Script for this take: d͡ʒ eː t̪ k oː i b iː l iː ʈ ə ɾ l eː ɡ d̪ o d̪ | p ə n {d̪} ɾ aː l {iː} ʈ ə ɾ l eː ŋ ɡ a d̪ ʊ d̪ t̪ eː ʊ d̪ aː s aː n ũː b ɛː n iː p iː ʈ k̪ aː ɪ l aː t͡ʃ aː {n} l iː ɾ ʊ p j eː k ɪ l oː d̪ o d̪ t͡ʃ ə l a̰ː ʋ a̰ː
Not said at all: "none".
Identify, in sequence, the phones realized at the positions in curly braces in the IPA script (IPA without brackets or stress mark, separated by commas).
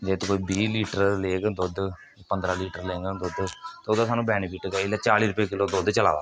d̪, iː, none